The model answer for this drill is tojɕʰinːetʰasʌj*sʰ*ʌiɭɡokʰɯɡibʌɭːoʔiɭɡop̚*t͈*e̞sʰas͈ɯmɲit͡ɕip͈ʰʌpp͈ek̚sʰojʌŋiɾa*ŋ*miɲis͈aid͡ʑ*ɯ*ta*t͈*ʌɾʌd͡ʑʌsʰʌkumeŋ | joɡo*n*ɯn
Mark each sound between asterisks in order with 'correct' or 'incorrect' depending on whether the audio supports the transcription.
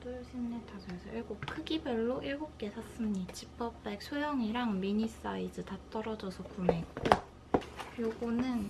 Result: correct, incorrect: k͈, correct, correct, correct, correct

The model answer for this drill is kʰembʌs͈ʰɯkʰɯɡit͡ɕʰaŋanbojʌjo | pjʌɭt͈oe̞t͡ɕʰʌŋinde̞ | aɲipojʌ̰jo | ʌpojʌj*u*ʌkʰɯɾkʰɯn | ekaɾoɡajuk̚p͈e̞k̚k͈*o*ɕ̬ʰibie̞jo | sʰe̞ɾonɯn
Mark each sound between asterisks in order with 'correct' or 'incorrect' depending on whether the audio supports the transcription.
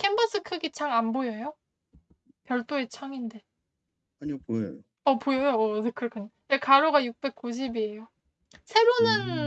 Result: incorrect: o, incorrect: u

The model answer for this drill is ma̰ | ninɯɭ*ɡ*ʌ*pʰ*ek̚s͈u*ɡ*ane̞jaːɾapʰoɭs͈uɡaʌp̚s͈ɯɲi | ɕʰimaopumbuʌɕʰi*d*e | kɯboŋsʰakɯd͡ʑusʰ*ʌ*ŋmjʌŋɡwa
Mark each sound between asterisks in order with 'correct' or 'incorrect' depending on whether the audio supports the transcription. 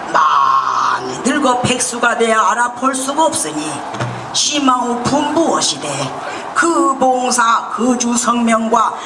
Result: correct, correct, correct, correct, correct

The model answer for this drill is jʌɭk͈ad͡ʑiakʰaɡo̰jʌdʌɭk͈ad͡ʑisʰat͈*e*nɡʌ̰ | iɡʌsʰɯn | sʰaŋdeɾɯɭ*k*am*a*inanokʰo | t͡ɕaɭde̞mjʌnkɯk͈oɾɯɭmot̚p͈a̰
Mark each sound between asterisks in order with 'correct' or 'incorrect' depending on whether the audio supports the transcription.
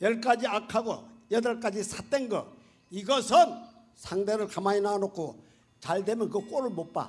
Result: correct, correct, correct

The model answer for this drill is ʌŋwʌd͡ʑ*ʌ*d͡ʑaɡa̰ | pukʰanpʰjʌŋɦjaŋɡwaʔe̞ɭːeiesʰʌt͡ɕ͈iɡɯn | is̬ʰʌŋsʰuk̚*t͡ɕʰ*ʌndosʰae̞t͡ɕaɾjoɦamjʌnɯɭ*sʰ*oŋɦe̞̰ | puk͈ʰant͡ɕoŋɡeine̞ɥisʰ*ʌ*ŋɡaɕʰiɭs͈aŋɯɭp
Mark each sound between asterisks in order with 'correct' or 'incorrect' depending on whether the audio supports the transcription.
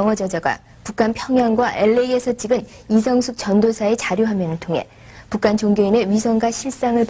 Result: correct, incorrect: t͡ɕ, incorrect: tʰ, correct

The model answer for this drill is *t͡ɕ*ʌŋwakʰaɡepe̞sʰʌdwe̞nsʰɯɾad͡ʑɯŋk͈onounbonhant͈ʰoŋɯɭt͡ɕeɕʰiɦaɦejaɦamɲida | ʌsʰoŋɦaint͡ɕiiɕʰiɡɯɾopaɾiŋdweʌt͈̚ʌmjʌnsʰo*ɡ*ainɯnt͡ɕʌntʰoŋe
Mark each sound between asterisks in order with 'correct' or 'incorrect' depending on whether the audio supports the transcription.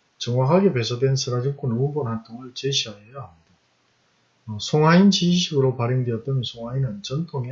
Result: correct, incorrect: ŋ

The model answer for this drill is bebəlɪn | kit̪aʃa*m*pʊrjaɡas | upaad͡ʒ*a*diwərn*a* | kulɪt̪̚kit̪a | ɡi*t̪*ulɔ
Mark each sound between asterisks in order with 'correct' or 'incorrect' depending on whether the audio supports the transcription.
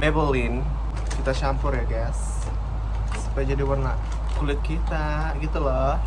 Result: correct, correct, correct, correct

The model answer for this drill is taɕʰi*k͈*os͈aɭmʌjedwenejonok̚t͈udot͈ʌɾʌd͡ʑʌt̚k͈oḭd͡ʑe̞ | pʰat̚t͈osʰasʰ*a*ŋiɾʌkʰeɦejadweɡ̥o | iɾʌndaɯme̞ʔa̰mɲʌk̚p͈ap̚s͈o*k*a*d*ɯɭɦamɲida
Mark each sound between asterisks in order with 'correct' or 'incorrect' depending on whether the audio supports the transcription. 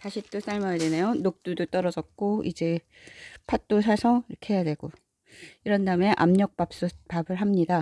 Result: incorrect: t͈, incorrect: ʌ, incorrect: p, incorrect: b

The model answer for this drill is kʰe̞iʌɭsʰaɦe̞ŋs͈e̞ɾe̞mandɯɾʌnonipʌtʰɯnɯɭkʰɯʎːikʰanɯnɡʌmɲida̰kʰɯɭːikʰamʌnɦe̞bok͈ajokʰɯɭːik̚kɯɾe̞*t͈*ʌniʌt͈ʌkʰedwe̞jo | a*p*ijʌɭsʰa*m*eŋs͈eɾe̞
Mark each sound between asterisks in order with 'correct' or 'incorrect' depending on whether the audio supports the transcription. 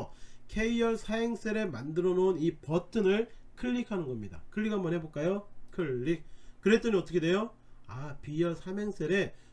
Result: correct, correct, correct

